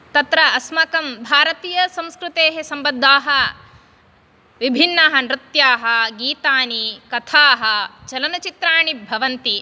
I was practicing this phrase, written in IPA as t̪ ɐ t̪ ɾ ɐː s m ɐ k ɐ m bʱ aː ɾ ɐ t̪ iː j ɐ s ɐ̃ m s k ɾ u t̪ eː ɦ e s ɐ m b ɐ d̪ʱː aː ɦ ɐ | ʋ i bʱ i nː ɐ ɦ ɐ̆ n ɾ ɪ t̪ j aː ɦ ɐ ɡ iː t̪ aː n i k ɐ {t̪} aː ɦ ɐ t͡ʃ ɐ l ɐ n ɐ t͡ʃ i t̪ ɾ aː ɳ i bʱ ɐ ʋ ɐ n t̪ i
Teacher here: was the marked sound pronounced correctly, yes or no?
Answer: no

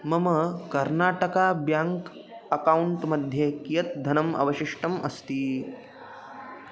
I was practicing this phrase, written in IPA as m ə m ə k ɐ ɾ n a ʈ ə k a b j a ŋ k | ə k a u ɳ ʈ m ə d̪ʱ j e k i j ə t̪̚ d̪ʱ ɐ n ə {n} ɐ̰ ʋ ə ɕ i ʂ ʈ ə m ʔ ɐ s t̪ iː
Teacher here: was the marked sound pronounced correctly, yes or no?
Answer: no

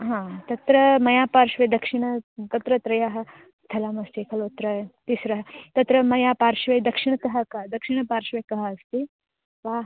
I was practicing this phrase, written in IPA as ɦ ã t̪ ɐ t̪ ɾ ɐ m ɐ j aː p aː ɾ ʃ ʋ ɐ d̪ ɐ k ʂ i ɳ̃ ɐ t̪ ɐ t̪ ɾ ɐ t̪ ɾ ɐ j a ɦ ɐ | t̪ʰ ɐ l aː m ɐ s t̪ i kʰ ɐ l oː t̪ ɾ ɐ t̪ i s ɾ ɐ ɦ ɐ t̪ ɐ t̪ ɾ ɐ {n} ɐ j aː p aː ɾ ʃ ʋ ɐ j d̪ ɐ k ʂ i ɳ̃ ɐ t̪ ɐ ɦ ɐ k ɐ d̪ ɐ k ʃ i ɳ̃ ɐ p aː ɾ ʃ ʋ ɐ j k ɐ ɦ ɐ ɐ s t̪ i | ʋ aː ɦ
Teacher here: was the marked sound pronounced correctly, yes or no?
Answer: no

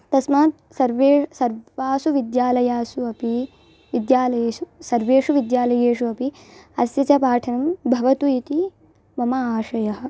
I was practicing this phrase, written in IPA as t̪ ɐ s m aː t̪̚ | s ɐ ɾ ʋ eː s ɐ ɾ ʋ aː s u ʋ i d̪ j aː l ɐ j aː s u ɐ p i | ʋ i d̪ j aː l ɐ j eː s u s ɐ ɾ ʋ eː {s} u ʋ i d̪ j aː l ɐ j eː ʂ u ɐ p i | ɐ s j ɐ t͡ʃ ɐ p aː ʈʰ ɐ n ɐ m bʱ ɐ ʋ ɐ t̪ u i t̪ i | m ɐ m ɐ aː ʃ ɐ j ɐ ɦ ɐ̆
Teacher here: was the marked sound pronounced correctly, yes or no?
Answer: no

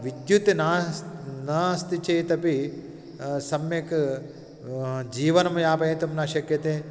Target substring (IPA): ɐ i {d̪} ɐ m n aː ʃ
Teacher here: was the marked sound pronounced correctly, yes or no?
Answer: no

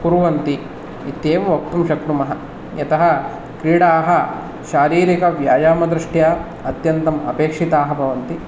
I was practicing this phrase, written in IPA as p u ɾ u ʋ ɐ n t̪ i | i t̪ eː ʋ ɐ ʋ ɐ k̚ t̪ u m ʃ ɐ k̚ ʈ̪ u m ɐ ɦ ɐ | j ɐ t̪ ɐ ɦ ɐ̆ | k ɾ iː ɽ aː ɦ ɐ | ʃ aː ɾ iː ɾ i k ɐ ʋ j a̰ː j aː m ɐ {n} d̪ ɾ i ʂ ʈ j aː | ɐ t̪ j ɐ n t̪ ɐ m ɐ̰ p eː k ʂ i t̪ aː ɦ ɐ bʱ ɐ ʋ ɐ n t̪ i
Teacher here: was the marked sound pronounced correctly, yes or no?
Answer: no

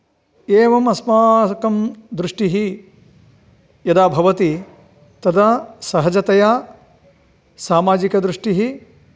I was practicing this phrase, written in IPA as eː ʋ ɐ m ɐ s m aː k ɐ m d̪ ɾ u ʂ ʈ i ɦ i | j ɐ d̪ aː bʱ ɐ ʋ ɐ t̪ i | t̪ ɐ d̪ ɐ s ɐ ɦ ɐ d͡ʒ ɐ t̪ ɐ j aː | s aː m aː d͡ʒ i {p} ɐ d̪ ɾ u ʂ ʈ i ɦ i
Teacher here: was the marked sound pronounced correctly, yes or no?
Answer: no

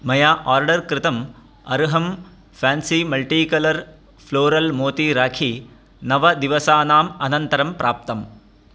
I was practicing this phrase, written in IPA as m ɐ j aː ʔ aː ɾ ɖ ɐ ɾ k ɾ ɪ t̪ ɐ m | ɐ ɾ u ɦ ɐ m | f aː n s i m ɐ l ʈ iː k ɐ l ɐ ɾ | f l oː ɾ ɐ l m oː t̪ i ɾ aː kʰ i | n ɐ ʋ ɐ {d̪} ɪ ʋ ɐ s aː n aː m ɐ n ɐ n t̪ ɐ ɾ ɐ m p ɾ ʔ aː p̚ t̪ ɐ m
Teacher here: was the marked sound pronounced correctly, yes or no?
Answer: yes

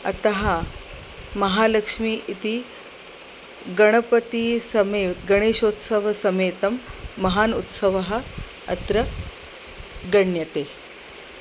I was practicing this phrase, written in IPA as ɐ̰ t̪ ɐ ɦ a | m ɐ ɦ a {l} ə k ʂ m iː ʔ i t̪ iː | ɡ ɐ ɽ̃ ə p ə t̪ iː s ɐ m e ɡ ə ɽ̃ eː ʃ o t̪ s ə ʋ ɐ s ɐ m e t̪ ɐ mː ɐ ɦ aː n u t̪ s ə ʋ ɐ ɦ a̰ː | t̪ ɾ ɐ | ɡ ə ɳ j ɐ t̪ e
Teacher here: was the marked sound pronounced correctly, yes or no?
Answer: yes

